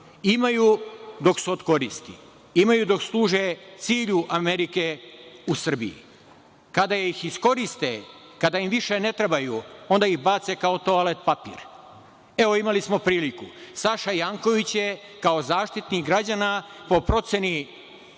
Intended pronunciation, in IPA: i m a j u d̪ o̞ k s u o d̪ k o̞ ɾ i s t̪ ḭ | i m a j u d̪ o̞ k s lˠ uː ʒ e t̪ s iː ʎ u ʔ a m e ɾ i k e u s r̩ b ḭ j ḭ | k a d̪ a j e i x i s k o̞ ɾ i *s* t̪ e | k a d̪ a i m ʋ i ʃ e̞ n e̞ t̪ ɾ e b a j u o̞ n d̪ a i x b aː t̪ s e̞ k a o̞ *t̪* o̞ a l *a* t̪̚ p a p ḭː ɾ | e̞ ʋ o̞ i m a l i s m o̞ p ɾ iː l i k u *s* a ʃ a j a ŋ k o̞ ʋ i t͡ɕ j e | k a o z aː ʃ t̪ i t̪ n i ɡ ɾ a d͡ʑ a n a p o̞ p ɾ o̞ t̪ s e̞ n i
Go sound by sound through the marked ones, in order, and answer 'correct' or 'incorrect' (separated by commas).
correct, correct, incorrect, correct